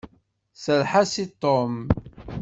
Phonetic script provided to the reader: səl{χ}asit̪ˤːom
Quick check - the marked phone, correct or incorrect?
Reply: incorrect